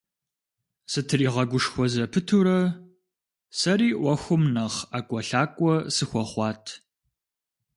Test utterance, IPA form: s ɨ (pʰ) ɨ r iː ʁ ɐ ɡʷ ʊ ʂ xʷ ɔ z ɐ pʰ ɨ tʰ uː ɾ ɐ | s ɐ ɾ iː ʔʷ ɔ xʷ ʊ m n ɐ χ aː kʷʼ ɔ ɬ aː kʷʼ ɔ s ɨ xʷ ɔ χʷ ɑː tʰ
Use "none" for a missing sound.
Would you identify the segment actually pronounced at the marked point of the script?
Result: tʰ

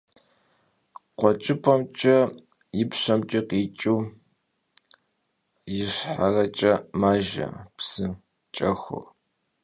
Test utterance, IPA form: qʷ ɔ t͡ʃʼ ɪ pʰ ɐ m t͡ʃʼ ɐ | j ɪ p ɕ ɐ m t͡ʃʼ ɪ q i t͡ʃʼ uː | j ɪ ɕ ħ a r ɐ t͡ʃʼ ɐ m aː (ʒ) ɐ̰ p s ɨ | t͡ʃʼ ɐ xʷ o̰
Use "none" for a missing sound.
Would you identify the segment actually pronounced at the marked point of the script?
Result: ʒ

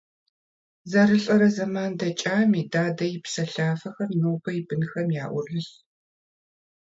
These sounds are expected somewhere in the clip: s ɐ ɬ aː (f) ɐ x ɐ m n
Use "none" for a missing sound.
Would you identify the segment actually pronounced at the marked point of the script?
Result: f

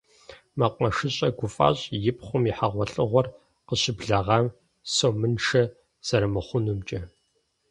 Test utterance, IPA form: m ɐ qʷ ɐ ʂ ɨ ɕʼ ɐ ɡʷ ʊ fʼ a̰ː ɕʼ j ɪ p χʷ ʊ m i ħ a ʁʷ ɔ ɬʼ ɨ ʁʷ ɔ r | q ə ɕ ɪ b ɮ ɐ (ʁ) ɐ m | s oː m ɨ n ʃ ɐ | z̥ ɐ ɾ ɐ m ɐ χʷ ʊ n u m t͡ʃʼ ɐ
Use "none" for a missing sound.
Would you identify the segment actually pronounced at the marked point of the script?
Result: ʁ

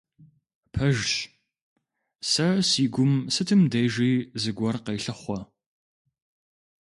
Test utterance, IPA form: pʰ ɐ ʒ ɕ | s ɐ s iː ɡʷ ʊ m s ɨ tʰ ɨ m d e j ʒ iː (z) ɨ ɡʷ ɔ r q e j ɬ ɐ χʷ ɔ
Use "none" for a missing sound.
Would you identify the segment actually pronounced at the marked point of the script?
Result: z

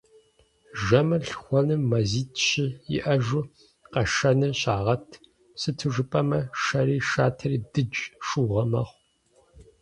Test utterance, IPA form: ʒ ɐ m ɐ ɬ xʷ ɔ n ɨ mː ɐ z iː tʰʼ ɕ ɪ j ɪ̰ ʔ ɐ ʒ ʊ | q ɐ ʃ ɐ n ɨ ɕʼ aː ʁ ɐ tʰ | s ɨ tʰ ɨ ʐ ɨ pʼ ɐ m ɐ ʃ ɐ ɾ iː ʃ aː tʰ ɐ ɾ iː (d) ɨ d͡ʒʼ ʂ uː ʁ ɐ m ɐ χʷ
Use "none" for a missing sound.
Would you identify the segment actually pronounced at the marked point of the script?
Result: d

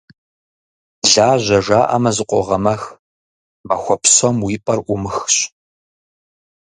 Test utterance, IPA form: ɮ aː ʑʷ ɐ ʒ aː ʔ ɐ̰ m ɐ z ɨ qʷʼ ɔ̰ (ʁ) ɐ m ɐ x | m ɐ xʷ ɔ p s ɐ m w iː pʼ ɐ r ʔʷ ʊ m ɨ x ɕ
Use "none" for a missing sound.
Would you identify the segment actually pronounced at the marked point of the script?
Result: ʁ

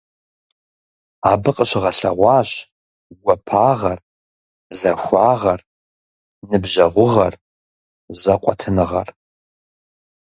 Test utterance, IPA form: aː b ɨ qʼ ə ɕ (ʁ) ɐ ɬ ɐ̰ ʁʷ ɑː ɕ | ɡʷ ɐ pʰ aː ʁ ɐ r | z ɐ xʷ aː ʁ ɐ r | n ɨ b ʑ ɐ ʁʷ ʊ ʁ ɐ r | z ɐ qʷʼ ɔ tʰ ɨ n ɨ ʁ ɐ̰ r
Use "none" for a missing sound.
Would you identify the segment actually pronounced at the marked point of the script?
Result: ʁ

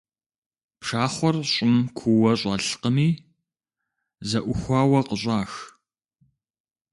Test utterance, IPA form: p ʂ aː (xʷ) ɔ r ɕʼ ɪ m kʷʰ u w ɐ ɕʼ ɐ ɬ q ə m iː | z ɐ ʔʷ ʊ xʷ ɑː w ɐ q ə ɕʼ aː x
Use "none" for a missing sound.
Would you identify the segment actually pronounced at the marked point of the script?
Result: χʷ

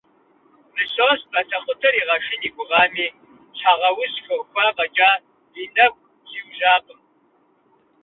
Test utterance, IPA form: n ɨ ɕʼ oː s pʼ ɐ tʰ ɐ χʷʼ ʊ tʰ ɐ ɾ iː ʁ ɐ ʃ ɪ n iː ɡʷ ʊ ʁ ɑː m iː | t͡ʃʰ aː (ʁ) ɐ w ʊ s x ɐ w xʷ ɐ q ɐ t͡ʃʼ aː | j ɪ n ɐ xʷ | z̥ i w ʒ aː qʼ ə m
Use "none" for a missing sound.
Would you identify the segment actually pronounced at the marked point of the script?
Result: ʁ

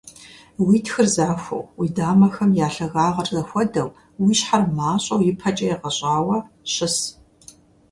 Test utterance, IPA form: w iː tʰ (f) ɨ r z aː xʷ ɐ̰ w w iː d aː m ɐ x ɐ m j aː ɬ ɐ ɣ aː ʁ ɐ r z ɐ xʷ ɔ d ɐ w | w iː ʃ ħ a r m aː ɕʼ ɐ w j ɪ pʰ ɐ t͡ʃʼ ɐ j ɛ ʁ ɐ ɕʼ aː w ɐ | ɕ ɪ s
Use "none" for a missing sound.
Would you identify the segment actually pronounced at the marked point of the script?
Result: x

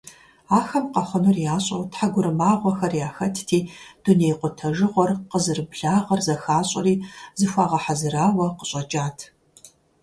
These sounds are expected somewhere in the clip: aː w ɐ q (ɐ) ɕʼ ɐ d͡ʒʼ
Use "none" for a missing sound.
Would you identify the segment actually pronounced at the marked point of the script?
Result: ə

